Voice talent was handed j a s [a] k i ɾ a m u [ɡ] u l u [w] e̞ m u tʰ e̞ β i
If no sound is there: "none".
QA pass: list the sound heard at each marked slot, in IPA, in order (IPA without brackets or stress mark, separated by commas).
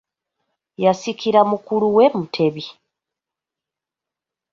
i, k, w